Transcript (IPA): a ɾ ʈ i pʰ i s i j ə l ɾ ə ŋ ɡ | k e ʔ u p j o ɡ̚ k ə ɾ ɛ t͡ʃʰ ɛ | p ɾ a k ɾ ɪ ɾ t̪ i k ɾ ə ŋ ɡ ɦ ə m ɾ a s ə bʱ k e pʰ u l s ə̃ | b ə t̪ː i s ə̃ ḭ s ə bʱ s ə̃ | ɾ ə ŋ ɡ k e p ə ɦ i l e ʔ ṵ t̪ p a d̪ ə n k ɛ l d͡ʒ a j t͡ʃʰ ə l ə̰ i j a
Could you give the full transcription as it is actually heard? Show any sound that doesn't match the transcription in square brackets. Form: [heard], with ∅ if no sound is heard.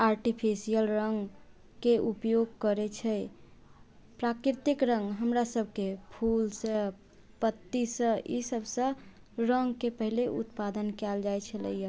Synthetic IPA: a ɾ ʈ i pʰ i s i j ə l ɾ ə ŋ ɡ | k e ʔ u p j o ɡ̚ k ə ɾ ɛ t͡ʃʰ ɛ | p ɾ a k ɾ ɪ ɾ t̪ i k ɾ ə ŋ ɡ ɦ ə m ɾ a s ə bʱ k e pʰ u l s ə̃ | [p] ə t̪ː i s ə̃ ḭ s ə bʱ s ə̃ | ɾ ə ŋ ɡ k e p ə ɦ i l e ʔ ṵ t̪ p a d̪ ə n k ɛ l d͡ʒ a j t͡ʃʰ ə l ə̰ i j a